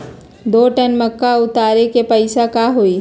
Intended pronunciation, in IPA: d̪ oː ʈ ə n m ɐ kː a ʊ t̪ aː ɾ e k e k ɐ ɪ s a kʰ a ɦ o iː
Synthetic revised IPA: d̪ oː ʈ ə n m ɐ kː a ʊ t̪ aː ɾ e k e p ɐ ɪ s a k a ɦ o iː